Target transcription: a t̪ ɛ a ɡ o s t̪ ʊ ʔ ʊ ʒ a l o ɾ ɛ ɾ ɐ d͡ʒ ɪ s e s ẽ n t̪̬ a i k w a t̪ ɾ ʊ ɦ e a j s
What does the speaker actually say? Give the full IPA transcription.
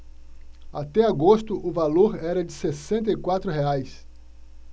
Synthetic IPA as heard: a t̪ ɛ a ɡ o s t̪ ʊ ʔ ʊ v a l o ɾ ɛ ɾ ɐ d͡ʒ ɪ s e s ẽ n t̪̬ ɐ i k w a t̪ ɾ ʊ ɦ e a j s